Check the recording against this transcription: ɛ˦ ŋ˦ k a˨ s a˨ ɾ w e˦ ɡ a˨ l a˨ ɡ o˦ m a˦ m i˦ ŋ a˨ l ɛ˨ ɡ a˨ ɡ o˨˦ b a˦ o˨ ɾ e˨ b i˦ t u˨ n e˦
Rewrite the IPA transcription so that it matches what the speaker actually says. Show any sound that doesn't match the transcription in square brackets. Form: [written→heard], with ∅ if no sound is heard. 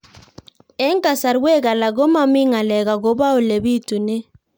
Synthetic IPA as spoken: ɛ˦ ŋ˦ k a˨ s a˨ ɾ w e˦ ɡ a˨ l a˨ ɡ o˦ m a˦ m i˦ ŋ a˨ l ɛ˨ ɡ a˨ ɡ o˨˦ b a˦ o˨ [ɾ→l] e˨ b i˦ t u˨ n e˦